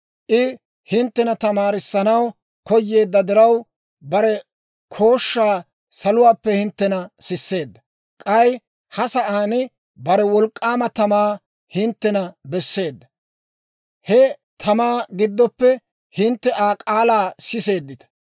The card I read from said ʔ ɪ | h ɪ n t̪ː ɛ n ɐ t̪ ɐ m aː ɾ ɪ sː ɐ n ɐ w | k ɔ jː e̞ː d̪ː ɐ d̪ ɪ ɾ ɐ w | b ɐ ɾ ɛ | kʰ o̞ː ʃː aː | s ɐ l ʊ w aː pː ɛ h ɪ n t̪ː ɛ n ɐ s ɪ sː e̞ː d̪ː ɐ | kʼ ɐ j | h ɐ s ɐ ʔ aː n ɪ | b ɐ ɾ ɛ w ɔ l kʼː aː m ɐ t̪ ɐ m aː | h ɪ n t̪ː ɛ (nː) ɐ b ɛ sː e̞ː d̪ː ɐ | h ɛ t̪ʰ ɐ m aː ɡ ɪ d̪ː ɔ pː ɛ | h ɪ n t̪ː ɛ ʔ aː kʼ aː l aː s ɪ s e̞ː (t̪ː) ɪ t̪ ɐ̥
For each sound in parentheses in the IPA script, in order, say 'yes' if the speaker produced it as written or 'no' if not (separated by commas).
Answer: no, no